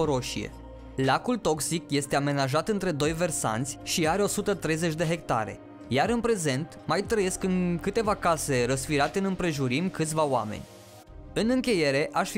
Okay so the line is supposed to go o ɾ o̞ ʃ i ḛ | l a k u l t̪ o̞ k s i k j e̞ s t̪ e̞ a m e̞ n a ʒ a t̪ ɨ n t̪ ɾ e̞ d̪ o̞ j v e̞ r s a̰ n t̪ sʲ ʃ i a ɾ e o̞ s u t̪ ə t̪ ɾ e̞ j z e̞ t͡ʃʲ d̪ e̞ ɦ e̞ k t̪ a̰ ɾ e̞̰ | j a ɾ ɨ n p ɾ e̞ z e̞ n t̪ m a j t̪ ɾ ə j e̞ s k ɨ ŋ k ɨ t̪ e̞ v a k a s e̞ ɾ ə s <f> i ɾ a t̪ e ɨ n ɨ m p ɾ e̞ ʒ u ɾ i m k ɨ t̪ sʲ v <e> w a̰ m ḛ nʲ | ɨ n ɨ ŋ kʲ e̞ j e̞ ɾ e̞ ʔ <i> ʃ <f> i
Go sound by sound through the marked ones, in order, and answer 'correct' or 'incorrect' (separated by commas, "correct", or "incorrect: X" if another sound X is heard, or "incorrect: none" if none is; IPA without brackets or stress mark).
correct, incorrect: a, incorrect: a, correct